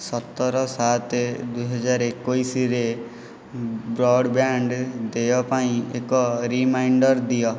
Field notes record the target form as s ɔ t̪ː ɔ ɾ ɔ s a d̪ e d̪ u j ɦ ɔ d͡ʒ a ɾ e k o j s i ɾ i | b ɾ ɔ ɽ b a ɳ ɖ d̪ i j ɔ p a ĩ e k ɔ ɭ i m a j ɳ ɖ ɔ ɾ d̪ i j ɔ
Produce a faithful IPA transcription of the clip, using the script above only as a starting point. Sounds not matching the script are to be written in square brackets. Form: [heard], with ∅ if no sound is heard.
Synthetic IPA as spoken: s ɔ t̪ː ɔ ɾ ɔ s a [t̪] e d̪ u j ɦ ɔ d͡ʒ a ɾ e k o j s i ɾ [e] | b ɾ ɔ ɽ b a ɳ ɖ d̪ [e] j ɔ p a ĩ e k ɔ [ɾ] i m a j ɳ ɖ ɔ ɾ d̪ i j ɔ